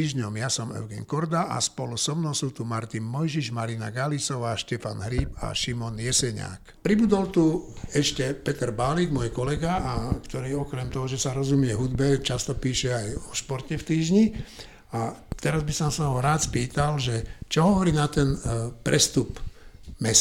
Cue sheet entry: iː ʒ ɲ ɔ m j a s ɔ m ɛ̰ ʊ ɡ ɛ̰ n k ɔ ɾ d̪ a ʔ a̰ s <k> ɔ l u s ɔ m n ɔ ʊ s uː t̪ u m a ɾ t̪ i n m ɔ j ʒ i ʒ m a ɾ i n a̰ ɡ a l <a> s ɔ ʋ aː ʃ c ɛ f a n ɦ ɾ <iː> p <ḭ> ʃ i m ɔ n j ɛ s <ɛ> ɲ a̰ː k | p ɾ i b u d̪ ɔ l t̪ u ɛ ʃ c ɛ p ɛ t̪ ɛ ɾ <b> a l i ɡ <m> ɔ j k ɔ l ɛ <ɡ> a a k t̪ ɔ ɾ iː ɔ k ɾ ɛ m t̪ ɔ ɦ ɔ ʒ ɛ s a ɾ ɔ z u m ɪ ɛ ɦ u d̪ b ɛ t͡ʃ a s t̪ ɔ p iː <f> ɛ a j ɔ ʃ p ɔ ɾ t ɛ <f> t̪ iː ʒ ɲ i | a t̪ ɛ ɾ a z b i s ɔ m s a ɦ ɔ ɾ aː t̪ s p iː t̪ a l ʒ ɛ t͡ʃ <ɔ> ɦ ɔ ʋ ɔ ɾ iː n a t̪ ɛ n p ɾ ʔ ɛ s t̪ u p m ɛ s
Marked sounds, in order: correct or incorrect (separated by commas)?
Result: incorrect, incorrect, correct, incorrect, correct, correct, correct, correct, incorrect, correct, correct